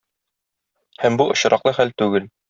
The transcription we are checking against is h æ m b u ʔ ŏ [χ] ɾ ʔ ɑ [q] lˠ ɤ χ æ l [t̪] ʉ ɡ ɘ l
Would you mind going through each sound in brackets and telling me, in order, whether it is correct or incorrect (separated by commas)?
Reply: incorrect, correct, correct